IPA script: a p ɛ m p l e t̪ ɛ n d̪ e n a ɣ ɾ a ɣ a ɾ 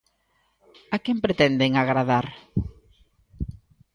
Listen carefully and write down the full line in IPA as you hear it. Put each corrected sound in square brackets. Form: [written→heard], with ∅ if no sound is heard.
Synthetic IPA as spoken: a [p→k] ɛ m p [l→ɾ] e t̪ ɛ n d̪ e [n→ŋ] a ɣ ɾ a [ɣ→ð] a ɾ